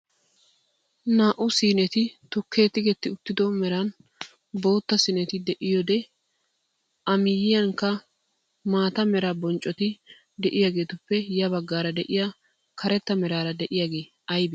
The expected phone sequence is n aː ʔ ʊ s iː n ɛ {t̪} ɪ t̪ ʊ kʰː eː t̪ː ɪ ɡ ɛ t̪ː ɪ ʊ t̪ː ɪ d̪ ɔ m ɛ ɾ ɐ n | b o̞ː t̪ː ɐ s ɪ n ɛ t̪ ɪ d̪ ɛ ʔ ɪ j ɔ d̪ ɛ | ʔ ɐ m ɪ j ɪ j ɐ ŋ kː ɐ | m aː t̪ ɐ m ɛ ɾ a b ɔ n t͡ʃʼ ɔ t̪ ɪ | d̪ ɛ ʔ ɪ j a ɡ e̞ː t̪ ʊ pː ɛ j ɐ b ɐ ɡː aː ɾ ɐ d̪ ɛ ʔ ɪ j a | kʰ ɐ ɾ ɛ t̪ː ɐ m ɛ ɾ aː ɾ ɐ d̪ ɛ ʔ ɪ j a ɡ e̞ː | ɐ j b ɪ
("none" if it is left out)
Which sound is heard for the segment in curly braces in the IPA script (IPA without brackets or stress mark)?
t̪